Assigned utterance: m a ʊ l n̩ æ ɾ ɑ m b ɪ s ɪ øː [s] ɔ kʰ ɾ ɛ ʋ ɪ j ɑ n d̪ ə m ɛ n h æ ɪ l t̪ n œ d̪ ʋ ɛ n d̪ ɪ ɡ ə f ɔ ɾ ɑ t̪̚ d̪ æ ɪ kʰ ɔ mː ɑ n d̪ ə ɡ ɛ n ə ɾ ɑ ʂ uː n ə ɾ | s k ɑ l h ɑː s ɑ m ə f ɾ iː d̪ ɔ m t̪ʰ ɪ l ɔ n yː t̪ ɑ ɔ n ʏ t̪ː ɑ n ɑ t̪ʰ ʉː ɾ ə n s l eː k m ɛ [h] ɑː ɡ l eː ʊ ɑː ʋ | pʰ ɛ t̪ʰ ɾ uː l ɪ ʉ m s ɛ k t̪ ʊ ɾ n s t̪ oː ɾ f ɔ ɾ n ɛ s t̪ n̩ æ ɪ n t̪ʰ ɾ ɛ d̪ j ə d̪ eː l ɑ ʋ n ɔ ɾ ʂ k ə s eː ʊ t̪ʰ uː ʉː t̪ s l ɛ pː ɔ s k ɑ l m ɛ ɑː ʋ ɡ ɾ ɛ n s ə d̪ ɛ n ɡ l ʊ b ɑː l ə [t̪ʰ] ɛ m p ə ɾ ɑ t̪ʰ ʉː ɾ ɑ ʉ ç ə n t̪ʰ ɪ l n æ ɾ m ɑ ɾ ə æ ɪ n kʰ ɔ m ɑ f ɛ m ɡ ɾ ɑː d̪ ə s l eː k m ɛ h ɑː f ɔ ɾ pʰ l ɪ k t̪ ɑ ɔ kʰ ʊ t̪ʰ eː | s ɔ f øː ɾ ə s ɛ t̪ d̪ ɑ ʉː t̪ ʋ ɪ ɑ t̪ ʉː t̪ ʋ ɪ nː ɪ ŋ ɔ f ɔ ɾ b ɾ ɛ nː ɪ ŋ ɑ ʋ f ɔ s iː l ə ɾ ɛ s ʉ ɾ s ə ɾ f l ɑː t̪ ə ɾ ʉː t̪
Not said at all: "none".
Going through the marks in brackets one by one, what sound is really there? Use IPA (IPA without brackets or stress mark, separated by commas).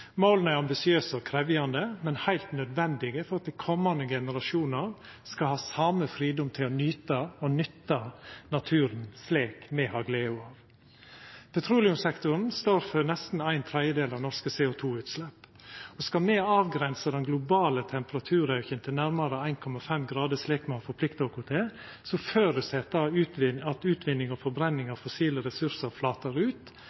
s, h, t̪ʰ